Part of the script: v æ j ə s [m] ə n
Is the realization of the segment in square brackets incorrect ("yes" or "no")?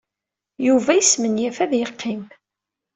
no